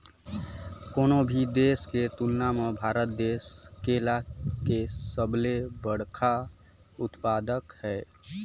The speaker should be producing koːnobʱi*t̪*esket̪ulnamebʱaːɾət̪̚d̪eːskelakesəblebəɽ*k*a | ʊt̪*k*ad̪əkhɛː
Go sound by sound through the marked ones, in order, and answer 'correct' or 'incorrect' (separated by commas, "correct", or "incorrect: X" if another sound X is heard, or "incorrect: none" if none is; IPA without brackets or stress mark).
incorrect: d̪, incorrect: kʰ, incorrect: p